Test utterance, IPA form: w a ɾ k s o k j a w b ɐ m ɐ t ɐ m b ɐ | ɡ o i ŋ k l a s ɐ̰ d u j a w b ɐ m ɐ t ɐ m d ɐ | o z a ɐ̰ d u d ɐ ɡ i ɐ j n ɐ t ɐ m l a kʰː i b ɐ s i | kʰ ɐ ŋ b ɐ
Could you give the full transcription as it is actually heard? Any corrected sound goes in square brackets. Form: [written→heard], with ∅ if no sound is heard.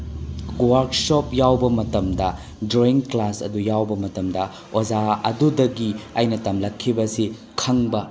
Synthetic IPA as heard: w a ɾ k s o [k→p] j a w b ɐ m ɐ t ɐ m [b→d] ɐ | [ɡ→d] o i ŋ k l a s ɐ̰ d u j a w b ɐ m ɐ t ɐ m d ɐ | o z a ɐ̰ d u d ɐ ɡ i ɐ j n ɐ t ɐ m l [a→ɐ] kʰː i b ɐ s i | kʰ ɐ ŋ b ɐ

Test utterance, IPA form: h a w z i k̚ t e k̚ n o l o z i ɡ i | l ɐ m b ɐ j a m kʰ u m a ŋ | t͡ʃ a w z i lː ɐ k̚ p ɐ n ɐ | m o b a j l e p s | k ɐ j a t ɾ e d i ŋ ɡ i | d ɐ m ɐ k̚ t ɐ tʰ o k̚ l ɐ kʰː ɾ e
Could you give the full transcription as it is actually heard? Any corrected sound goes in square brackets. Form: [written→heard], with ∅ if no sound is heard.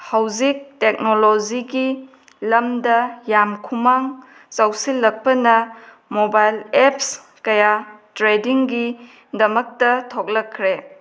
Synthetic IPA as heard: h a w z i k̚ t e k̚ n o l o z i ɡ i | l ɐ m [b→d] ɐ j a m kʰ u m a ŋ | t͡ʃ a w [z→s] i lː ɐ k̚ p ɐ n ɐ | m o b a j l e p s | k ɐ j a t ɾ e d i ŋ ɡ i | d ɐ m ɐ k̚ t ɐ tʰ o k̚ l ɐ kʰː ɾ e

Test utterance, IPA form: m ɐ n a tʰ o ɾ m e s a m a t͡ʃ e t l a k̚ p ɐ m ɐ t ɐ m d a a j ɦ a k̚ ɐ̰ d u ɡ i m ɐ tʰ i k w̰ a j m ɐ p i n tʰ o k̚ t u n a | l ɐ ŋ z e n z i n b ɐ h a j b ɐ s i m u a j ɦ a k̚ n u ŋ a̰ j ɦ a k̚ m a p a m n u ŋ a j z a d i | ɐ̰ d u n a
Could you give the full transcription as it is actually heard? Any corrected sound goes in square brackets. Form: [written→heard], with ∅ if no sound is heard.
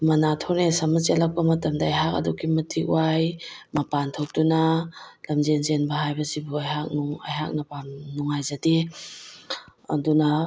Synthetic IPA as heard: m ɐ n a tʰ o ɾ [m→n] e s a m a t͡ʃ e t l a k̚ p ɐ m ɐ t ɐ m d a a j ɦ a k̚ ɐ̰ d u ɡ i m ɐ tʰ i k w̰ a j m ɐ p [i→a] n tʰ o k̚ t u n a | l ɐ [ŋ→m] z e n z [i→e] n b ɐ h a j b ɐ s i [m→b] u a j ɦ a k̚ n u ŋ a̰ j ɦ a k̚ [m→n] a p a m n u ŋ a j z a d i | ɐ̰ d u n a

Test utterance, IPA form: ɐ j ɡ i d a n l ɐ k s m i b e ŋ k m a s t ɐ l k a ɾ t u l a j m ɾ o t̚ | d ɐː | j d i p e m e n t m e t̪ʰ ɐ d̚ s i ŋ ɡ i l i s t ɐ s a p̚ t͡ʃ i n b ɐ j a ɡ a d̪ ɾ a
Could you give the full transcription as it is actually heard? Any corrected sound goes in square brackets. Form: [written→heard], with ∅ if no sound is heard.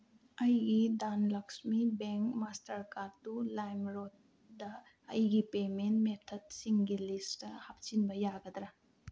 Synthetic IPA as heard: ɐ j ɡ i d a n l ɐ k s m i b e ŋ k m a s t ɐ [l→ɾ] k a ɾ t u l a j m ɾ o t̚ | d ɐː | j [d→ɡ] i p e m e n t m e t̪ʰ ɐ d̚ s i ŋ ɡ i l i s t ɐ [s→h] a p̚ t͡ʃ i n b ɐ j a ɡ [a→ɐ] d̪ ɾ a

